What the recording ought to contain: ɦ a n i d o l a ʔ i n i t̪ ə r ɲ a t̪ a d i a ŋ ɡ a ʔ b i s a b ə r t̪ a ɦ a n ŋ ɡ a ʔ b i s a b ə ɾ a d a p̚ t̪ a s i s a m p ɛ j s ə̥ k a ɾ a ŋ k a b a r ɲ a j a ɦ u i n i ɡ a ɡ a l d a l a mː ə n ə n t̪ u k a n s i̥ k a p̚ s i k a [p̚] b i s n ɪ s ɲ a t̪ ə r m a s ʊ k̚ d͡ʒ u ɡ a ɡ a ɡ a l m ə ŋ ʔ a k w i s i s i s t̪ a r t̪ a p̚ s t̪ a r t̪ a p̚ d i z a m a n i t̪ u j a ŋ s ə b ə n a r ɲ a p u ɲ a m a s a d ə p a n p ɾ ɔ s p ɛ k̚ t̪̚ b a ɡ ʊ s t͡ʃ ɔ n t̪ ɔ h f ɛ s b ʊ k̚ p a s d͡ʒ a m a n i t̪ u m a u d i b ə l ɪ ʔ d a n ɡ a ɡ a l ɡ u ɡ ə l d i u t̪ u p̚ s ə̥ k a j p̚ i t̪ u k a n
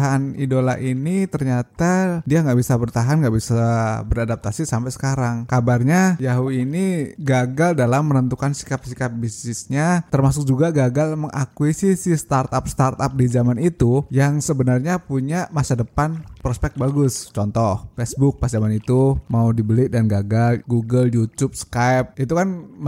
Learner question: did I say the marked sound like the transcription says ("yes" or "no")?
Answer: yes